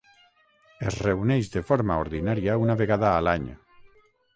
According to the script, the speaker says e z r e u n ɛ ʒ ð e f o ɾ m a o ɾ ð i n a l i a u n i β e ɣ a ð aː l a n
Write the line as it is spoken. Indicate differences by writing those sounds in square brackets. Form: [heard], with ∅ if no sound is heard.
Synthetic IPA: e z r e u n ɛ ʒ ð e f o ɾ m a o ɾ ð i n a [ɾ] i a u n [a] β e ɣ a ð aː l a [ɲ]